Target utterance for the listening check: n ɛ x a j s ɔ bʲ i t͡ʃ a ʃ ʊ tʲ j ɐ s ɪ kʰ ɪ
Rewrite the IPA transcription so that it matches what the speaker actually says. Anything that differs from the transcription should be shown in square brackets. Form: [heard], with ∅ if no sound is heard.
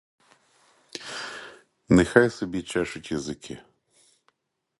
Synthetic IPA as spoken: n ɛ x a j s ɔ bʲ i t͡ʃ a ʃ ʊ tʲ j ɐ [z] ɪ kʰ ɪ